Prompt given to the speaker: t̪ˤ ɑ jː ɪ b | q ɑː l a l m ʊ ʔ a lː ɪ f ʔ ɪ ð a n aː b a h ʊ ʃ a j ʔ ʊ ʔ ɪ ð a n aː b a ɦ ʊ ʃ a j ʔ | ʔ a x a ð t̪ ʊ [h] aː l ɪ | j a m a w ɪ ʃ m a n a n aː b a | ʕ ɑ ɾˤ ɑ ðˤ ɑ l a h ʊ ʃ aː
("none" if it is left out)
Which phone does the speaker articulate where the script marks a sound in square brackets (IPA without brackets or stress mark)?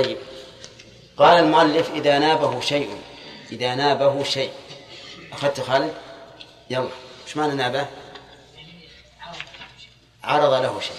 x